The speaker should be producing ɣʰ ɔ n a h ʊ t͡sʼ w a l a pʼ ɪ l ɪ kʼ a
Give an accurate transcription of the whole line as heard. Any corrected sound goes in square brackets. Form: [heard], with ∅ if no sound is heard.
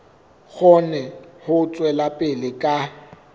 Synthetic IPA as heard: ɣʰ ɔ n [ɛ] h ʊ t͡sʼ w [ɛ] l a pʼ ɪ l ɪ kʼ a

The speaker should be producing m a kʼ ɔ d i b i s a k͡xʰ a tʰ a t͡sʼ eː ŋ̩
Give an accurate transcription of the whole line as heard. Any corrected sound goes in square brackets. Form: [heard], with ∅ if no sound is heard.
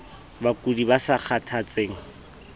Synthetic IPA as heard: [b] a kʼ [u] d i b [a] s a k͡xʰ a tʰ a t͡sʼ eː ŋ̩

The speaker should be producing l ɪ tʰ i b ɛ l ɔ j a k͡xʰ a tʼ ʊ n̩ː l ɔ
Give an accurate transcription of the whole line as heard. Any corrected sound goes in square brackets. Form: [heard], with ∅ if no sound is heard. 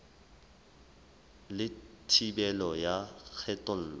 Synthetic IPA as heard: l ɪ tʰ i b ɛ l ɔ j a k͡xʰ [ɛ] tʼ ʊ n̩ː l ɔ

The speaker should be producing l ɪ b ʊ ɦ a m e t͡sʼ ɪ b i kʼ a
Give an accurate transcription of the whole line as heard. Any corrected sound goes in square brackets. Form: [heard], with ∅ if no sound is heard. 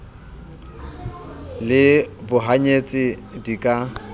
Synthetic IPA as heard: l ɪ b ʊ ɦ a [ɲ] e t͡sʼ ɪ [d] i kʼ a

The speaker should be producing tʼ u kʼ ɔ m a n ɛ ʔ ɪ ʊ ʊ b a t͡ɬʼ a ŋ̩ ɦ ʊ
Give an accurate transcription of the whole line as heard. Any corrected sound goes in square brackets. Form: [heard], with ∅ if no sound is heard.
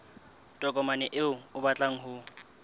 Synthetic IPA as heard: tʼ [ɔ] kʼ ɔ m a n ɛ ʔ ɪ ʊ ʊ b a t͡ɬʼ a ŋ̩ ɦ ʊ

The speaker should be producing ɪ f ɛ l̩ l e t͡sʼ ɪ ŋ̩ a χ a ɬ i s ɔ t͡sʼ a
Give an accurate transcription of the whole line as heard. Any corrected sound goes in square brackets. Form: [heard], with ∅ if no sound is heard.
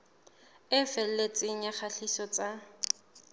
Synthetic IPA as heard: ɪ f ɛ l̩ l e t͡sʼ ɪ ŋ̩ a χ a ɬ i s ɔ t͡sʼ a

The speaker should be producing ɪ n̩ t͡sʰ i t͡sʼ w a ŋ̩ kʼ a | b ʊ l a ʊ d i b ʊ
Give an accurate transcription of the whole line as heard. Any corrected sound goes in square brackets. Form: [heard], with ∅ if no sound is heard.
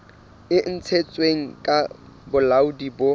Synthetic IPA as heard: ɪ n̩ t͡sʰ [e] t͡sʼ w [e] ŋ̩ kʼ a | b ʊ l a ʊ d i b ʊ

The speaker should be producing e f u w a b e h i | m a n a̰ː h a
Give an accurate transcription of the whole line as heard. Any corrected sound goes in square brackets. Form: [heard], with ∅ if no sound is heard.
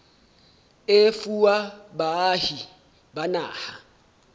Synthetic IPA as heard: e f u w a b [a] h i | [b] a n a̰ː h a

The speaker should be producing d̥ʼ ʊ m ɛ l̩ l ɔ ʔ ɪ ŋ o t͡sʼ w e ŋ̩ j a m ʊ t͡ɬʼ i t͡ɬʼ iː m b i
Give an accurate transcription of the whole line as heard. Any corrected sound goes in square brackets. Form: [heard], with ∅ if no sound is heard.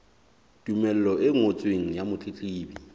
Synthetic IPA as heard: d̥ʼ [u] m ɛ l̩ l ɔ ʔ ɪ ŋ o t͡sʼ w e ŋ̩ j a m ʊ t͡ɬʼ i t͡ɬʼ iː [∅] b i

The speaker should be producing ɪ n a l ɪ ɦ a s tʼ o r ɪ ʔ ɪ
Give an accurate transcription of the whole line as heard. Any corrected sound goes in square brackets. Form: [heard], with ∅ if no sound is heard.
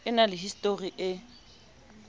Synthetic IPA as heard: ɪ n a l ɪ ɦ [i] s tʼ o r [i] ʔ ɪ

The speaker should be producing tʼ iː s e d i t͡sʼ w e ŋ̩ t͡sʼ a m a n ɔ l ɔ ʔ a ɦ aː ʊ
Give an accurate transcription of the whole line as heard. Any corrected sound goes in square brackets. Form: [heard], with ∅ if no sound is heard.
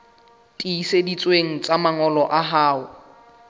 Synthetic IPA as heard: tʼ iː s e d i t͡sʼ w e ŋ̩ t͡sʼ a m a [ŋ] ɔ l ɔ ʔ a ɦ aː ʊ

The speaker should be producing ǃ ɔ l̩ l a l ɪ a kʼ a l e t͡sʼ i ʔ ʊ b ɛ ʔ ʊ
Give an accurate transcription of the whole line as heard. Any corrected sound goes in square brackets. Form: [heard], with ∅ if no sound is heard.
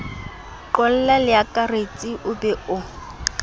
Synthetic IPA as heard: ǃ ɔ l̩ l a l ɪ a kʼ a [r] e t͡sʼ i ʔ ʊ b ɛ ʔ ʊ

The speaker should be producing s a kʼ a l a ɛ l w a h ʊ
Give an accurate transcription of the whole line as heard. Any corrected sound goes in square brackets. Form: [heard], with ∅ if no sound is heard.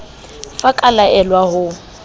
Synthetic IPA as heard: [f] a kʼ a l a ɛ l w a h ʊ

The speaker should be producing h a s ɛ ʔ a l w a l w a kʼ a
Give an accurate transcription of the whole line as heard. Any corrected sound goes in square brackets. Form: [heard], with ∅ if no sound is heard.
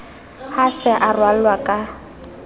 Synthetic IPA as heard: h a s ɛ ʔ a [r] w a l w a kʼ a

